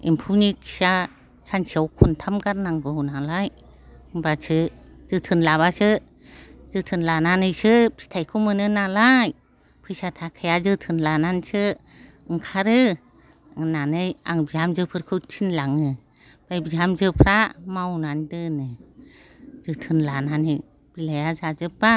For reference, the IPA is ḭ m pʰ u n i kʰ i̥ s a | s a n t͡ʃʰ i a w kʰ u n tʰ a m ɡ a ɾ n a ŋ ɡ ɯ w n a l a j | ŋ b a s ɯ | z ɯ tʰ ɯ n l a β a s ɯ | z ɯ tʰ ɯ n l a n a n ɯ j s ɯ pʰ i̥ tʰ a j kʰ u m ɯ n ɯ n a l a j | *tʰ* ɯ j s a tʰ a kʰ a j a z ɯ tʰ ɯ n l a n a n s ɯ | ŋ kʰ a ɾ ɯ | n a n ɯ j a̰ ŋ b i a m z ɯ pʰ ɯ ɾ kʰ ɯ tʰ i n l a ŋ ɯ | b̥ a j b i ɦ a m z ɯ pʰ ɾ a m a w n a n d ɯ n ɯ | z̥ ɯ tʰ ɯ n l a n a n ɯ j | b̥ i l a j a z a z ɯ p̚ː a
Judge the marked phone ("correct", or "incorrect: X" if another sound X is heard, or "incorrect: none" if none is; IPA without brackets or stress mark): incorrect: pʰ